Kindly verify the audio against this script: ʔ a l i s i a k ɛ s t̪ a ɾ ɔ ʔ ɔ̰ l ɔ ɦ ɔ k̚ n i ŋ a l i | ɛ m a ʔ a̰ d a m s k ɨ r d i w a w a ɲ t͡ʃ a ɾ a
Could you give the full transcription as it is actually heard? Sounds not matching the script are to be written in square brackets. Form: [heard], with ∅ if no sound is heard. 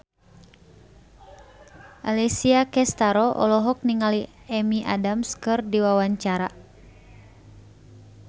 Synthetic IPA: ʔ a l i s i a k ɛ s t̪ a ɾ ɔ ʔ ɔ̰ l ɔ ɦ ɔ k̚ n i ŋ a l i | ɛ m [i] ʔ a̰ d a m s k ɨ r d i w a w a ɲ t͡ʃ a ɾ a